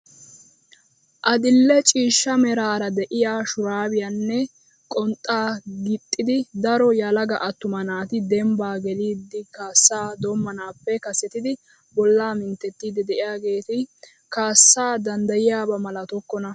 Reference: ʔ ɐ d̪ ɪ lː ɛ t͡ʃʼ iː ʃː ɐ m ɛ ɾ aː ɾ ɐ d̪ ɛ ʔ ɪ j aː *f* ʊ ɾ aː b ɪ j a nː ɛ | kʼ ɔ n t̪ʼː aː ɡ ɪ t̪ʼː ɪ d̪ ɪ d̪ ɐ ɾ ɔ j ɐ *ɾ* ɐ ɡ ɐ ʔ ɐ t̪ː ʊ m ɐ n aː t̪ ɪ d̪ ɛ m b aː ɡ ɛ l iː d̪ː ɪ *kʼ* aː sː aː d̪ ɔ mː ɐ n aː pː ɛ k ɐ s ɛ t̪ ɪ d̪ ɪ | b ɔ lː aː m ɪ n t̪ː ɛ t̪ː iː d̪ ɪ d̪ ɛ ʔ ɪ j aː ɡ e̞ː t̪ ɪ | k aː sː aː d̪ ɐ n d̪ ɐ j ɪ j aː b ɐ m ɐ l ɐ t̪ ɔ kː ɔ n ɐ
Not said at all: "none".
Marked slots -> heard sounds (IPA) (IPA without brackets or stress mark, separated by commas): ʃ, l, k